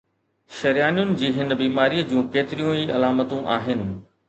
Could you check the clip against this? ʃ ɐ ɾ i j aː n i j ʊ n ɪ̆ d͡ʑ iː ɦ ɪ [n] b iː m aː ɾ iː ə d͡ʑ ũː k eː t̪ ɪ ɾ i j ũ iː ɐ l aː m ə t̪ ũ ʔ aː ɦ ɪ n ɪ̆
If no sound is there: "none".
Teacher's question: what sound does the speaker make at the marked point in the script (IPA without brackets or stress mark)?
n